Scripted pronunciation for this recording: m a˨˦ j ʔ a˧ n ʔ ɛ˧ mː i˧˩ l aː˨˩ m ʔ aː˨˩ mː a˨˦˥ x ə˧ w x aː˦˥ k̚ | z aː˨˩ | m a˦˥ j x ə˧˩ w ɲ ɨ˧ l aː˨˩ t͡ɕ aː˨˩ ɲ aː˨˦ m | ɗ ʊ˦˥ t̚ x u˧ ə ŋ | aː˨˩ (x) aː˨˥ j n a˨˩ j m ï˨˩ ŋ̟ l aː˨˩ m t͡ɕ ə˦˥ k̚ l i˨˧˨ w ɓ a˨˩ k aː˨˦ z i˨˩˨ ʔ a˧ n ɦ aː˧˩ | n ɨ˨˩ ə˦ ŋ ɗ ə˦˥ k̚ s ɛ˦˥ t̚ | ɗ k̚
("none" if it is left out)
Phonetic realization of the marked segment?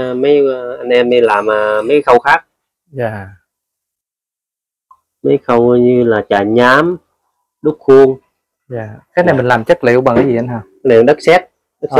k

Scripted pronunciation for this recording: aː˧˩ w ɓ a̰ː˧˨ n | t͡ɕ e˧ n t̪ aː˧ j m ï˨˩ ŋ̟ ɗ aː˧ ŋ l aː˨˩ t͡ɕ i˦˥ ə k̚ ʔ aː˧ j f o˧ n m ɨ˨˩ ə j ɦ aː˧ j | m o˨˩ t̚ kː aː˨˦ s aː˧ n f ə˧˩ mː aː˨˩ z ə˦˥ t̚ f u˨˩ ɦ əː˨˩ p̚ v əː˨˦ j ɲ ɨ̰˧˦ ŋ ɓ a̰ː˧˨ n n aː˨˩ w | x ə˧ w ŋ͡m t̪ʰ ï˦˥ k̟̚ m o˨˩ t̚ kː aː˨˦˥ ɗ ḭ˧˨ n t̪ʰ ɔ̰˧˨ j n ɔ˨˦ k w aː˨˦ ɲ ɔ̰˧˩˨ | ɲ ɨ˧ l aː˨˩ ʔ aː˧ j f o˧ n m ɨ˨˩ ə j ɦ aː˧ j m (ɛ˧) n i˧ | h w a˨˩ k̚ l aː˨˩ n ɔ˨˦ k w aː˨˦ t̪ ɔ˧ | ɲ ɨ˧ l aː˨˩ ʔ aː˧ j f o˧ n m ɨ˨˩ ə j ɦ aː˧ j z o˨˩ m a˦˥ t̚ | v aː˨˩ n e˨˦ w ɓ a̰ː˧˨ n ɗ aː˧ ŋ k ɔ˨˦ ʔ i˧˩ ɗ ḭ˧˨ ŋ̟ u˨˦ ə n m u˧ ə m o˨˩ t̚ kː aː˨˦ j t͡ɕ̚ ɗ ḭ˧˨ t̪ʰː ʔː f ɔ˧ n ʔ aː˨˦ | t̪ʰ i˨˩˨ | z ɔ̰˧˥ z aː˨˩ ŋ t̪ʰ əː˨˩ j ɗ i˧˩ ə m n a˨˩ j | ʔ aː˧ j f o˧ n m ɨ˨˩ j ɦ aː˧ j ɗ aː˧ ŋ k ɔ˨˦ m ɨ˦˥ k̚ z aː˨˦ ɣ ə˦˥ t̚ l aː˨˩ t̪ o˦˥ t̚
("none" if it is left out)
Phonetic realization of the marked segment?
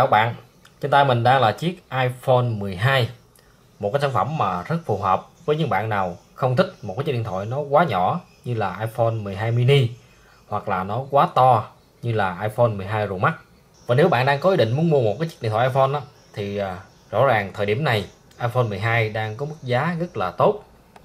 i˧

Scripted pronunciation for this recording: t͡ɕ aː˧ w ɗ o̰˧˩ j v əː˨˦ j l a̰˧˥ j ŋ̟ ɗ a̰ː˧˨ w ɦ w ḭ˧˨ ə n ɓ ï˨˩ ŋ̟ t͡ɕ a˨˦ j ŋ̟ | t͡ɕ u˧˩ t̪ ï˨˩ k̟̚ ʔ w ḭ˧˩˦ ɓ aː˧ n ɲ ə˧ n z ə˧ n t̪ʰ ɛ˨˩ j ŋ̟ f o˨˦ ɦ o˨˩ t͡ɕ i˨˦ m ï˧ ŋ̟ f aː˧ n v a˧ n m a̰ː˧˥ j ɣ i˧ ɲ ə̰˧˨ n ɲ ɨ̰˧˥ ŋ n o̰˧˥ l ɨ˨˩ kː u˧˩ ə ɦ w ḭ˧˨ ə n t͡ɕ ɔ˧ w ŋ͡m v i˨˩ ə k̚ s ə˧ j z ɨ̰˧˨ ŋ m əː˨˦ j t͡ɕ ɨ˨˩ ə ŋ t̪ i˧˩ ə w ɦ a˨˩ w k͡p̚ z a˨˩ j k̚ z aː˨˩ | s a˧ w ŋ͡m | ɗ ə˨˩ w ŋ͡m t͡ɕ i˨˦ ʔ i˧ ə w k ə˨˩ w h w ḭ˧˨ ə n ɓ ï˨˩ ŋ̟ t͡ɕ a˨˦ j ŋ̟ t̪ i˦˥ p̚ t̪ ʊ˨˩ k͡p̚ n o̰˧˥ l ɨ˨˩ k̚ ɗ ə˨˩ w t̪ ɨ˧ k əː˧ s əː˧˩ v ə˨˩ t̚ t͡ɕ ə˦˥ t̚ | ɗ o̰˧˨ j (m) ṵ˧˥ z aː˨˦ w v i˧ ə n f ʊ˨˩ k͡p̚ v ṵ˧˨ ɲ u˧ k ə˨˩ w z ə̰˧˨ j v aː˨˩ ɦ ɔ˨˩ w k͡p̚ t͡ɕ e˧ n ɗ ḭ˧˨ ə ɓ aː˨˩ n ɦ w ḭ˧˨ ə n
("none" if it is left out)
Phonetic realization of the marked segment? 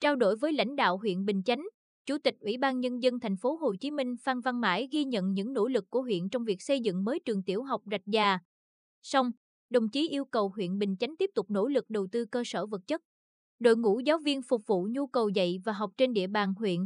ŋ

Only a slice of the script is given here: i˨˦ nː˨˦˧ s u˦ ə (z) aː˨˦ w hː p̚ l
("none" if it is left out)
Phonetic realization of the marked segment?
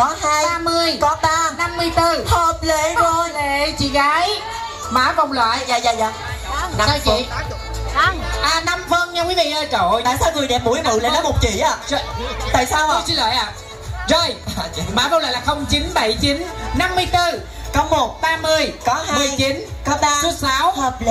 s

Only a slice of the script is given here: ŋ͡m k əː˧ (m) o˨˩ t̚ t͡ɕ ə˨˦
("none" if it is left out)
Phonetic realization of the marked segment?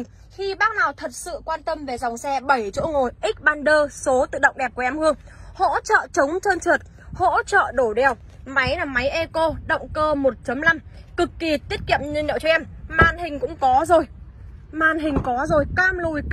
m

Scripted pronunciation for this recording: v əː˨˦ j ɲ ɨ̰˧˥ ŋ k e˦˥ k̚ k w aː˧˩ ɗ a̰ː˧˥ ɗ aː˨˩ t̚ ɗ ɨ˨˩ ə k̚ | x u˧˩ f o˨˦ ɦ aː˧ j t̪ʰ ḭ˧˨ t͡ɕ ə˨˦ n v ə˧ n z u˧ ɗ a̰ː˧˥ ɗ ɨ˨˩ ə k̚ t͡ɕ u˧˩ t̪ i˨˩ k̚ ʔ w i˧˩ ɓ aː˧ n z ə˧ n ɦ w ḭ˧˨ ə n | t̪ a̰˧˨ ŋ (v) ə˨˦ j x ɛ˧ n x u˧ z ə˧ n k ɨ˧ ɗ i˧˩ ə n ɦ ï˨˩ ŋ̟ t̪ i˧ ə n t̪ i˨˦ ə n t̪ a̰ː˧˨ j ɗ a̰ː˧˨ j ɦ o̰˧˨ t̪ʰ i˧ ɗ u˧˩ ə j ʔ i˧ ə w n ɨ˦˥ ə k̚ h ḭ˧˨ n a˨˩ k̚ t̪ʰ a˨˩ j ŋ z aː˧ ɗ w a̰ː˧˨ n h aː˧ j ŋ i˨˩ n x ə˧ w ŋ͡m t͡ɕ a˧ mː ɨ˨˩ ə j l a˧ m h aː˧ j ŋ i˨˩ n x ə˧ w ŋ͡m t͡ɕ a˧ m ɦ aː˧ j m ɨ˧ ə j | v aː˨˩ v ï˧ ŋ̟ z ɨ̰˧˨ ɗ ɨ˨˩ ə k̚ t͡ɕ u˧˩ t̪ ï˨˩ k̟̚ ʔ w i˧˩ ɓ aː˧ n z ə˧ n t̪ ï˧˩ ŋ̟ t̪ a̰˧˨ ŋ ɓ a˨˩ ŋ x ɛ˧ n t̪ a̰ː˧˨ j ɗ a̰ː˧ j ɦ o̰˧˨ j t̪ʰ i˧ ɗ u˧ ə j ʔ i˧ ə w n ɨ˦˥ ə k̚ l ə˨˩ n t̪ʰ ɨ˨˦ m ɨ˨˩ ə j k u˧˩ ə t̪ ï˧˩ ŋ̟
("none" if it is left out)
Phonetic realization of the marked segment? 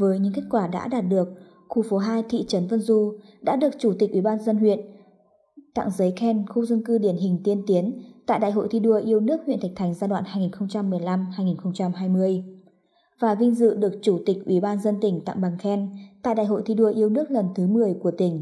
z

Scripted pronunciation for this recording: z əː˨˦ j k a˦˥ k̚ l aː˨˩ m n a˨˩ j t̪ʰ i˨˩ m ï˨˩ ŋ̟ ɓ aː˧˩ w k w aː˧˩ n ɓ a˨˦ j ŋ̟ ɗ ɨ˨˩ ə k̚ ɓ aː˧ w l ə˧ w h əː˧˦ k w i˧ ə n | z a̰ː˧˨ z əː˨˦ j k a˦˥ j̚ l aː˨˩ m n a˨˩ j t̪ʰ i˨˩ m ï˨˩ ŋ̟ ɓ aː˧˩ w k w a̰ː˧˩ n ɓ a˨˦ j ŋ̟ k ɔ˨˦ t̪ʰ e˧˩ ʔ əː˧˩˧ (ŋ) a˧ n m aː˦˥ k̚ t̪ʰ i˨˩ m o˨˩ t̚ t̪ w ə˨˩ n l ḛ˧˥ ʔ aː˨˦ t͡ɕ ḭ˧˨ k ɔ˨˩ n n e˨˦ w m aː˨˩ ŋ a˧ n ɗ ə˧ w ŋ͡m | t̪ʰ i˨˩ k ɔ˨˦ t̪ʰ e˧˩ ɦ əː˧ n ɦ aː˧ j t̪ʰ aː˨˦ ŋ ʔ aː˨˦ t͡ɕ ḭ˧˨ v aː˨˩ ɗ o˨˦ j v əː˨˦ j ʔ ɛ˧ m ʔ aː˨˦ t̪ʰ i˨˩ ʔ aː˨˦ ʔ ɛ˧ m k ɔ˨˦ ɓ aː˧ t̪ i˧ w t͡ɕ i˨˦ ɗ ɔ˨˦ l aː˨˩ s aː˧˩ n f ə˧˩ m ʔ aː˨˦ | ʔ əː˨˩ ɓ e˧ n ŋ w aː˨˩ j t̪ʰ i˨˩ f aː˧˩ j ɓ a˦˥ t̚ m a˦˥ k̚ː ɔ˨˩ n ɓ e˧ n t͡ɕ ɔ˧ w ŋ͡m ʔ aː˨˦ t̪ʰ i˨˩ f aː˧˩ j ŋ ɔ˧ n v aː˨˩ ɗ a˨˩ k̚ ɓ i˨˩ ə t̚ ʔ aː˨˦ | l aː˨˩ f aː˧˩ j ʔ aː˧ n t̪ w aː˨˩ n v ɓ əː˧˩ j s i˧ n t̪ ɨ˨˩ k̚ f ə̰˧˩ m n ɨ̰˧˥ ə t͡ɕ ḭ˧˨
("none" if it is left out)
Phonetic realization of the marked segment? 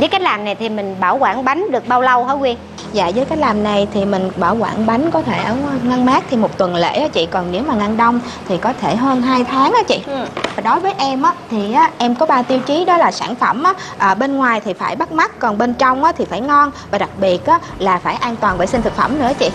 ŋ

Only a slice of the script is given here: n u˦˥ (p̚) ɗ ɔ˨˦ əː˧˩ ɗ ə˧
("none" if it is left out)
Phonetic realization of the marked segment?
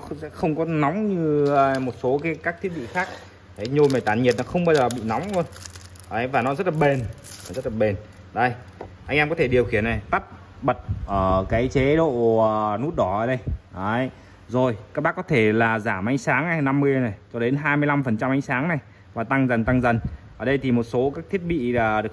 t̚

